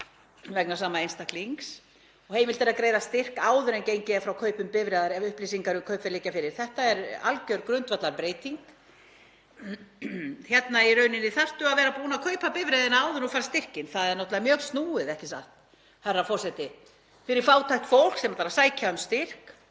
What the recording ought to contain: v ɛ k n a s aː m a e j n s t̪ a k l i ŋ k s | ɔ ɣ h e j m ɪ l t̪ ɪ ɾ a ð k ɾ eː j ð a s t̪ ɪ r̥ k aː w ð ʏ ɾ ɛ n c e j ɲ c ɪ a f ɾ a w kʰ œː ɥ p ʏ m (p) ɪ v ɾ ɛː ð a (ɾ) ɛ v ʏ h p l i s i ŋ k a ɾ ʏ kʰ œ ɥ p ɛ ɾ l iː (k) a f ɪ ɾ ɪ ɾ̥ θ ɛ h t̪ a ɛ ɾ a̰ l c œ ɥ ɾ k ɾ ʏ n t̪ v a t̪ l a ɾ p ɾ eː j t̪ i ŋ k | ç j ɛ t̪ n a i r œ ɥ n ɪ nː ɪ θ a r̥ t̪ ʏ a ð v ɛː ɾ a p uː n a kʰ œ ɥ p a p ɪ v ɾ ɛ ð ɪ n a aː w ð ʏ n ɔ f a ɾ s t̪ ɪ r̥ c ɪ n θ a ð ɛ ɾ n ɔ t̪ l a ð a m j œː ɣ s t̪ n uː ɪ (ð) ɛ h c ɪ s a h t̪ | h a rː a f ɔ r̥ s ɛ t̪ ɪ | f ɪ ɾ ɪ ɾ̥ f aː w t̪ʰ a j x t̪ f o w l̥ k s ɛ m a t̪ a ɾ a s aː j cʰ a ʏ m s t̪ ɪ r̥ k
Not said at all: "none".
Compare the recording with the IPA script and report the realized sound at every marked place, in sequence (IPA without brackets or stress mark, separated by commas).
p, ɾ, c, ð